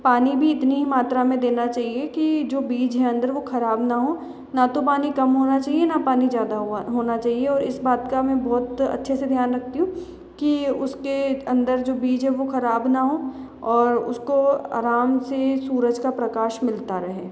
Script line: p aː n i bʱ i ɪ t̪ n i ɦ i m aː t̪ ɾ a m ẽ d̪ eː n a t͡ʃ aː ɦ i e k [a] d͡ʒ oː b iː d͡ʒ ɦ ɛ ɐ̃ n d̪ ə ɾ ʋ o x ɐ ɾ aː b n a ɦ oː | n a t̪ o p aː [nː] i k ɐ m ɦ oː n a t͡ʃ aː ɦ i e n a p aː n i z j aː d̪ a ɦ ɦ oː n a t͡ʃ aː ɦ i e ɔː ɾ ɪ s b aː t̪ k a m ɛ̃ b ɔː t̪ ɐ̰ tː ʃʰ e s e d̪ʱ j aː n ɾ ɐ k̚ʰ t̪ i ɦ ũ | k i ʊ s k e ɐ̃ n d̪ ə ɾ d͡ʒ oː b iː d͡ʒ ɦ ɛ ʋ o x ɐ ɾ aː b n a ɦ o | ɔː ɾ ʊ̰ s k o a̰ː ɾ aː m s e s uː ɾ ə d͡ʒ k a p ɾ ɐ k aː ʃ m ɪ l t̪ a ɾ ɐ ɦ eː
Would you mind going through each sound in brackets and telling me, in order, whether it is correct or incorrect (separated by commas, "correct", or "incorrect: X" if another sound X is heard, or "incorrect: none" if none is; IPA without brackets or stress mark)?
incorrect: i, incorrect: n